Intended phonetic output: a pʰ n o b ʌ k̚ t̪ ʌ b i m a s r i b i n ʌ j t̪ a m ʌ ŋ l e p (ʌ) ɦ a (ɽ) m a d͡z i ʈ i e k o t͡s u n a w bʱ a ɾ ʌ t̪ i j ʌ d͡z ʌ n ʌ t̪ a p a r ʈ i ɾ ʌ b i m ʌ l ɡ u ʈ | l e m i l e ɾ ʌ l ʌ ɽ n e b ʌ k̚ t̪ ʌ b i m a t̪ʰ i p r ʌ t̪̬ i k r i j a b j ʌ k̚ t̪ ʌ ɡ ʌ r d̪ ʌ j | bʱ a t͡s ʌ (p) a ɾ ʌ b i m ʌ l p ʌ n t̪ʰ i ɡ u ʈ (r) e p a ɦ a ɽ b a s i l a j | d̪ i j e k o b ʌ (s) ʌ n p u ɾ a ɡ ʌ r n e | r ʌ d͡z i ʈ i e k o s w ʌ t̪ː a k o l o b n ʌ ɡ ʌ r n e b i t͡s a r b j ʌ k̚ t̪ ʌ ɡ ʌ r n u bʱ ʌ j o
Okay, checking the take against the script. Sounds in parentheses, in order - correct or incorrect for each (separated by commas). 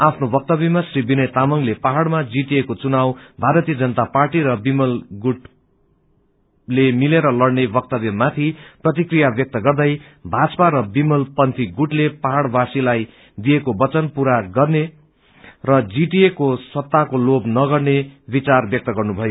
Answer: incorrect, correct, correct, incorrect, incorrect